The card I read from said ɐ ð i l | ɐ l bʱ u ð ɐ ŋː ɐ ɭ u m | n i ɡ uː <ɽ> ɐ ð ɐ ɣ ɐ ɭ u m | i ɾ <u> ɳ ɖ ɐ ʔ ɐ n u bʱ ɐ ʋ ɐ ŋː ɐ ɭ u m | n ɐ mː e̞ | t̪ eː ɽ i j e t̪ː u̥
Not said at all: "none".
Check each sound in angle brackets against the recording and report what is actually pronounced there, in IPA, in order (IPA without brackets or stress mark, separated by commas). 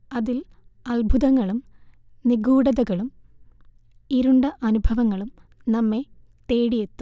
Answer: ɽ, u